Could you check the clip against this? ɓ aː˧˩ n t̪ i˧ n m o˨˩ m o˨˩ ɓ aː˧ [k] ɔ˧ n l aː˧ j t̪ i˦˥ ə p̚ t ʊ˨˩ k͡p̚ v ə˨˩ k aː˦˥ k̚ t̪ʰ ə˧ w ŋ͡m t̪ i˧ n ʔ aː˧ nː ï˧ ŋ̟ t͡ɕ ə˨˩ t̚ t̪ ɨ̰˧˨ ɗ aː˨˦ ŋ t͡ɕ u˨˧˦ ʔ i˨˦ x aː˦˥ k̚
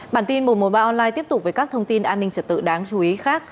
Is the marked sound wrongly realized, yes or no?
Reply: yes